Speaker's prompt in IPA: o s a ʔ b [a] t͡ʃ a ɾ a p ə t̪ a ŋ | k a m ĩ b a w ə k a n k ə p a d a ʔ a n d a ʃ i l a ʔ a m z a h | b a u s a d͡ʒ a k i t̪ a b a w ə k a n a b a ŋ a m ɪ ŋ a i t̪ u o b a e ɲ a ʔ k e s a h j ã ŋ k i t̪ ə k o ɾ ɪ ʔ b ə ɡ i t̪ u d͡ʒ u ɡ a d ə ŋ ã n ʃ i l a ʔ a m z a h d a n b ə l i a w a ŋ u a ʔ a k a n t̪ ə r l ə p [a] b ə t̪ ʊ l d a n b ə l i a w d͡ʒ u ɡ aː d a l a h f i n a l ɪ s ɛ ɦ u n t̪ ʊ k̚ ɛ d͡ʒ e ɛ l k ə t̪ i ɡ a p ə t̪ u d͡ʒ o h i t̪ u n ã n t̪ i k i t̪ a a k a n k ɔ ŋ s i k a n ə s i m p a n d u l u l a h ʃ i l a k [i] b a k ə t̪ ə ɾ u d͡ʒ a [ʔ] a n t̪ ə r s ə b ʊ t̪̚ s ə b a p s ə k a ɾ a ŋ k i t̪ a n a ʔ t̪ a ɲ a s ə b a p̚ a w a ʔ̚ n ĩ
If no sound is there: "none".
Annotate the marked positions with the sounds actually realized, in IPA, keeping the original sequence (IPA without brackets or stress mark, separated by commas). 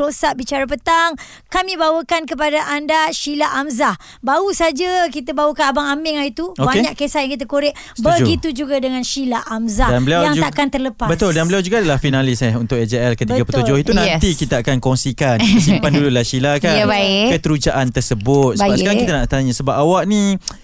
i, a, a, ʔ